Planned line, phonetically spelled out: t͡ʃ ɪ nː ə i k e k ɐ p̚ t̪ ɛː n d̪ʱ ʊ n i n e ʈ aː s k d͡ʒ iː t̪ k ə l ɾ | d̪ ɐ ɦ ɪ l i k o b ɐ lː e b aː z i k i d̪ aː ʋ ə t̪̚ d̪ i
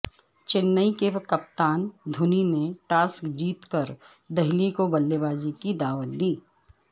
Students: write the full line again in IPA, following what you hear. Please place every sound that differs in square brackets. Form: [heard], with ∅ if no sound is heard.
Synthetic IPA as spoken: t͡ʃ ɪ nː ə i k e k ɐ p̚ t̪ [aː] n d̪ʱ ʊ n i n e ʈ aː s k d͡ʒ iː t̪ k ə [∅] ɾ | d̪ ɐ ɦ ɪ l i k o b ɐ lː e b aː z i k i d̪ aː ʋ ə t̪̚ d̪ [iː]